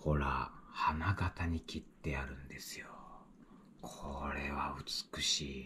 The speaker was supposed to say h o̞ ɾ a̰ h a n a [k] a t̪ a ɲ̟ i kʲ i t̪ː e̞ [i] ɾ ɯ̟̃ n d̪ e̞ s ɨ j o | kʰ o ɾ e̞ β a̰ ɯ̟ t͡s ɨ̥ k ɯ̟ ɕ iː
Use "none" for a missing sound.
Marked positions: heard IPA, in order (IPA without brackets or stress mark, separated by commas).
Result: ɡ, a